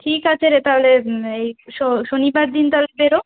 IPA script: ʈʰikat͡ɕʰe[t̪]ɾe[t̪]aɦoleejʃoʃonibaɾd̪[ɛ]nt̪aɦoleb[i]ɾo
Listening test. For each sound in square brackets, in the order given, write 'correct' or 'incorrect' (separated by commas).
incorrect, correct, incorrect, incorrect